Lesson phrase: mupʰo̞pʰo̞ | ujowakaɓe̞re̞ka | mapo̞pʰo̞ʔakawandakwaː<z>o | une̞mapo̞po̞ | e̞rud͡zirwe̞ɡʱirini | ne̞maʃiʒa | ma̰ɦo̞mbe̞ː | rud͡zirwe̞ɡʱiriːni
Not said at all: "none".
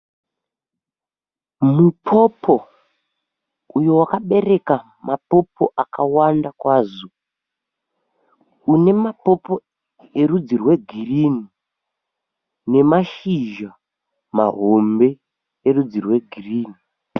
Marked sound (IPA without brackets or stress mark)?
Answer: z